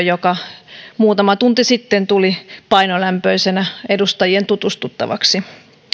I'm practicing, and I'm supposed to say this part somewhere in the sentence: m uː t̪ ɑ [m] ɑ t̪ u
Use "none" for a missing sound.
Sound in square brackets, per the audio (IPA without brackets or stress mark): m